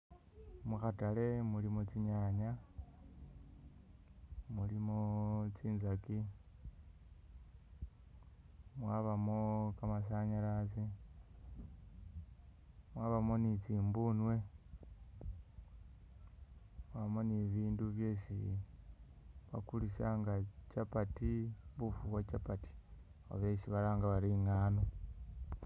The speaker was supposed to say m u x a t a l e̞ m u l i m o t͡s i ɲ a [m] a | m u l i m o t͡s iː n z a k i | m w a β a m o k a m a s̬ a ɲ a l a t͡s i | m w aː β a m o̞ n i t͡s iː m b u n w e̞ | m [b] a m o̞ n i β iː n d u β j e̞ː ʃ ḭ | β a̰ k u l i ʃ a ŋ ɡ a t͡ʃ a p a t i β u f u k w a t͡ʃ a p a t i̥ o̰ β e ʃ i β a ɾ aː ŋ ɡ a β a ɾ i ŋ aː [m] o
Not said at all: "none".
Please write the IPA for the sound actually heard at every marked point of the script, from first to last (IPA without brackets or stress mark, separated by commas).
ɲ, w, n